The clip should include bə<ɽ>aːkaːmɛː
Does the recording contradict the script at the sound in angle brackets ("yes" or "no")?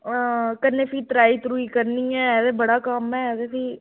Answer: no